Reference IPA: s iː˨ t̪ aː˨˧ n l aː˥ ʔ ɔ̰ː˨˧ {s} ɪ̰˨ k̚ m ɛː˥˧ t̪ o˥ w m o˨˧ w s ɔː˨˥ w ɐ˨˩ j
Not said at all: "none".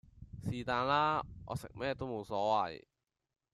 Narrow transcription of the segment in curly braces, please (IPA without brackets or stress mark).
s